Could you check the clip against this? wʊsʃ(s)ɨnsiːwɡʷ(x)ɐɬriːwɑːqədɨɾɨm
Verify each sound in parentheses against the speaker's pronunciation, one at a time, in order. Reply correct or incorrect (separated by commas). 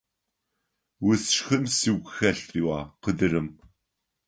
incorrect, correct